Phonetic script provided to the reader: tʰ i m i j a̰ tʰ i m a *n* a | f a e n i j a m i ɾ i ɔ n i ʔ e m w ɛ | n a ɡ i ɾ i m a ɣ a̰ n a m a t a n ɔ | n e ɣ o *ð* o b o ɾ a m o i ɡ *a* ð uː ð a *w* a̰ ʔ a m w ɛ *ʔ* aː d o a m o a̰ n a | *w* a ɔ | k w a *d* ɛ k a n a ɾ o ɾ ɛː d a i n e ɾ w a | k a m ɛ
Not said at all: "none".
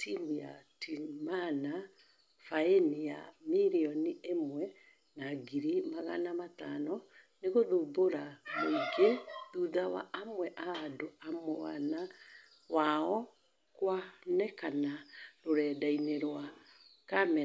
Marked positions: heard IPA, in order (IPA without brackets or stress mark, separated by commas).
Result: n, ð, e, w, ʔ, w, n